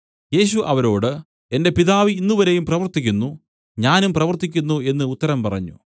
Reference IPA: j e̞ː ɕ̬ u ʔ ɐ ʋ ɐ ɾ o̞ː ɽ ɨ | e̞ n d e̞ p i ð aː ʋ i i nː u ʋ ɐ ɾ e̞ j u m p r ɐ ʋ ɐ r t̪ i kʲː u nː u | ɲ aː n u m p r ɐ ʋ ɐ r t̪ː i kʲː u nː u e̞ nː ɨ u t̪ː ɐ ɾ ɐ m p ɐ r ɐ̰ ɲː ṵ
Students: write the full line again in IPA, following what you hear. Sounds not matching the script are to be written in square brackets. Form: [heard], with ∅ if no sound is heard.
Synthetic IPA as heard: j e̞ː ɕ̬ u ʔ ɐ ʋ ɐ ɾ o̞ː ɽ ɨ | e̞ n d e̞ p i ð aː ʋ i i nː u ʋ ɐ ɾ e̞ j u m p r ɐ ʋ ɐ r t̪ i kʲː u nː u | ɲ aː n u m p r ɐ ʋ ɐ r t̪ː i kʲː u nː u e̞ nː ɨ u t̪ː ɐ ɾ ɐ m p ɐ r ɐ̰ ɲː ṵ